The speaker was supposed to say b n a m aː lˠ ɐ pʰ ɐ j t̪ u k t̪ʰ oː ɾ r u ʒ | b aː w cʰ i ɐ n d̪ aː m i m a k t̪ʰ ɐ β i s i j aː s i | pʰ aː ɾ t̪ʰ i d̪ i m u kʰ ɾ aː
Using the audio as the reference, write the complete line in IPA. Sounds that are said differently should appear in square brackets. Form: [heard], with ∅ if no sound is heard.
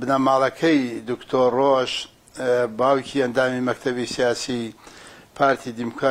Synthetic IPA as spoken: b n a m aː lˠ ɐ [kʰ] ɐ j [d̪] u k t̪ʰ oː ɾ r [o] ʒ | b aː w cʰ i ɐ n d̪ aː m i m [ɐ] k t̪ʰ ɐ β i s i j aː s i | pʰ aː ɾ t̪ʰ i d̪ i m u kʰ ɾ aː

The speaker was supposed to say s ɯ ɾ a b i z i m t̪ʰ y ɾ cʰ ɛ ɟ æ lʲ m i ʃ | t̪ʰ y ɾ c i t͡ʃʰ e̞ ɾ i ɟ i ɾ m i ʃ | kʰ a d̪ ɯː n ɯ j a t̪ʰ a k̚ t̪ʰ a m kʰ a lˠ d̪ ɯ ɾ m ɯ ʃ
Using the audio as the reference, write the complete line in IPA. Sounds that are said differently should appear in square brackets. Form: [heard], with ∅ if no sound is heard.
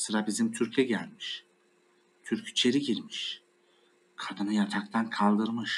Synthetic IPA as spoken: s ɯ ɾ a b i z i m t̪ʰ y ɾ cʰ ɛ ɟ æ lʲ m i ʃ | t̪ʰ y ɾ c i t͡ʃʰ e̞ ɾ i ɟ i ɾ m i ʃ | kʰ a d̪ [ɯ] n ɯ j a t̪ʰ a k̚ t̪ʰ a [n] kʰ a lˠ d̪ ɯ ɾ m ɯ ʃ

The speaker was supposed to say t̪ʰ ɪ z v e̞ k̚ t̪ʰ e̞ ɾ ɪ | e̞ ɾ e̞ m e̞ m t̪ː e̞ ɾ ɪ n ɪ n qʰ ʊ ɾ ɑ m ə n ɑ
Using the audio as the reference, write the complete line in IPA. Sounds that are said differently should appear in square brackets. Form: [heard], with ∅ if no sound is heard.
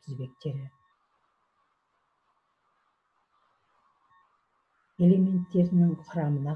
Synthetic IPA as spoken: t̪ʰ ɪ z [b] e̞ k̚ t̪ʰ e̞ ɾ ɪ | e̞ [l] e̞ m e̞ [n] t̪ː e̞ ɾ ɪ n ɪ [ŋ] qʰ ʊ ɾ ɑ m ə n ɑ

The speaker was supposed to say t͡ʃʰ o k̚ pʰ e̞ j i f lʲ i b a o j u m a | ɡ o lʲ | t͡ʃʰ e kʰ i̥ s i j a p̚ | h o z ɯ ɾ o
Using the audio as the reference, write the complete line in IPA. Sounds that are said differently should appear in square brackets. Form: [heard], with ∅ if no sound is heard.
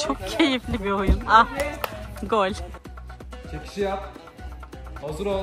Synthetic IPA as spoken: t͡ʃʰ o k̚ [cʰ] e̞ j i f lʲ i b [i] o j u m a | ɡ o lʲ | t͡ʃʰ e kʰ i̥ [ʃ] i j a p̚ | h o z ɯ ɾ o

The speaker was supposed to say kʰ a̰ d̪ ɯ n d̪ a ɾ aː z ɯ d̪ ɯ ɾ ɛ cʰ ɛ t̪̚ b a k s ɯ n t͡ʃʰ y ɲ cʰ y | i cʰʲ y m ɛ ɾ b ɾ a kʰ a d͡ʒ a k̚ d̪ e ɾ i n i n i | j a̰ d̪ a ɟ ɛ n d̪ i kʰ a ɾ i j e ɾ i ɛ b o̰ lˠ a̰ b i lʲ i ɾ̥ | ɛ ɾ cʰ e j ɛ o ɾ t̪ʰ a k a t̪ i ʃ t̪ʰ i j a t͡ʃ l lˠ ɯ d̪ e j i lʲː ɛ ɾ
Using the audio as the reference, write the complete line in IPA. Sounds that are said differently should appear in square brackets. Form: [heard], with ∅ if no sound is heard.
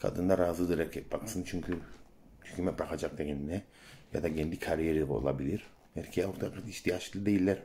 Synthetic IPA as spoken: kʰ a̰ d̪ ɯ n d̪ a ɾ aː z ɯ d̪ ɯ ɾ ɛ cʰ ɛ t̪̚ b a k s ɯ n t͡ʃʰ y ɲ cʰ y | [y] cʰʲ y m ɛ [∅] b ɾ a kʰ a d͡ʒ a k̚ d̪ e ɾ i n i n [ɛ] | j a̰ d̪ a ɟ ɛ n d̪ i kʰ a ɾ i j e ɾ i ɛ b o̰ lˠ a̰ b i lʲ i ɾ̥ | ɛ ɾ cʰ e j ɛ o ɾ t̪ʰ a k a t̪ i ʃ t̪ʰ i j a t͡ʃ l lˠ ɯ d̪ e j i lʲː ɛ ɾ

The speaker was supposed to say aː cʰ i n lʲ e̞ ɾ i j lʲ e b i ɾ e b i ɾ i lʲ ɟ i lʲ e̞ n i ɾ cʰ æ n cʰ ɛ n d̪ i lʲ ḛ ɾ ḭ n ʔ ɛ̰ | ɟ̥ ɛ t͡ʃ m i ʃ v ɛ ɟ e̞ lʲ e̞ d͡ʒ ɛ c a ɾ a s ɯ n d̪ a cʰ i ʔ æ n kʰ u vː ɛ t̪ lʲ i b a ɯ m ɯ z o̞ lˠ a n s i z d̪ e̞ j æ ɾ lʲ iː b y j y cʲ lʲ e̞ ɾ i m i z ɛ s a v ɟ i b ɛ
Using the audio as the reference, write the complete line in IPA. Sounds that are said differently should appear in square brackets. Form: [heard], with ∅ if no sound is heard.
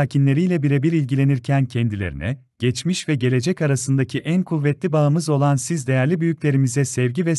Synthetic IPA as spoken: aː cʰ i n lʲ e̞ ɾ i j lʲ [ɛ] b i ɾ e b i ɾ i lʲ ɟ i lʲ e̞ n i ɾ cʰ æ n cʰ ɛ n d̪ i lʲ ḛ ɾ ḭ n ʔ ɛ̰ | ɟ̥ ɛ t͡ʃ m i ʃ v ɛ ɟ e̞ lʲ e̞ d͡ʒ ɛ c a ɾ a s ɯ n d̪ a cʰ i ʔ æ n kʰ u vː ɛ t̪ lʲ i b a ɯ m ɯ z o̞ lˠ a n s i z d̪ e̞ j æ ɾ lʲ [i] b y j y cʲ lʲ e̞ ɾ i m i z ɛ s [ɛ] v ɟ i [v] ɛ

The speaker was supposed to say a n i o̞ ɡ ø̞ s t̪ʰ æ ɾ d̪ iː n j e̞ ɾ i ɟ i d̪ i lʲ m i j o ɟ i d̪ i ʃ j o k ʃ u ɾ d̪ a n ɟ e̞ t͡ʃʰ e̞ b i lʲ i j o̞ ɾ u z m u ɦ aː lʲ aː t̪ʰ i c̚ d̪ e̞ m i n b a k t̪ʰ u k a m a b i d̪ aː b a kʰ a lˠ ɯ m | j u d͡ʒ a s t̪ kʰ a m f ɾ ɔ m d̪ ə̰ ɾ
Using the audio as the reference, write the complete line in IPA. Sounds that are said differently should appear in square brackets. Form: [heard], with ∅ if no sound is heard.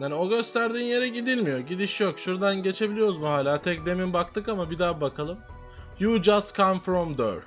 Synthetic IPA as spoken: a n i o̞ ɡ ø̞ s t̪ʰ æ ɾ d̪ iː n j e̞ ɾ [ɛ] ɟ i d̪ i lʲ m i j o ɟ i d̪ i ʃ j o k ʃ u ɾ d̪ a n ɟ e̞ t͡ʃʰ e̞ b i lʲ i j o̞ ɾ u z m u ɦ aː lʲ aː t̪ʰ [ɛ] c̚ d̪ e̞ m i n b a k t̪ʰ [ɯ] k a m a b i d̪ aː b a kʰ a lˠ ɯ m | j u d͡ʒ a s t̪ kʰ a m f ɾ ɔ m d̪ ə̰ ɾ

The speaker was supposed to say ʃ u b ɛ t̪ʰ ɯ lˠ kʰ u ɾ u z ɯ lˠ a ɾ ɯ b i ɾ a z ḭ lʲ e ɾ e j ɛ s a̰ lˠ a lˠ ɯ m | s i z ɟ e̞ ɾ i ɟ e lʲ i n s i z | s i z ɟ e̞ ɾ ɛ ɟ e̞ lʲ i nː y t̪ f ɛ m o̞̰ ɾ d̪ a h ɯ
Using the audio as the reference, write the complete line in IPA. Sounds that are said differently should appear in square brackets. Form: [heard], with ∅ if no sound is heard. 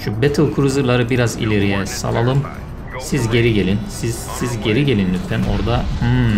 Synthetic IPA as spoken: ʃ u b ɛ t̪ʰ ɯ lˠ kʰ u ɾ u z ɯ lˠ a ɾ ɯ b i ɾ a z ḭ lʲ e ɾ [i] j ɛ s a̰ lˠ a lˠ ɯ m | s i z ɟ e̞ ɾ i ɟ e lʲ i n s i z | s i z ɟ e̞ ɾ [i] ɟ e̞ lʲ i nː y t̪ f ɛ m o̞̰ ɾ d̪ a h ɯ

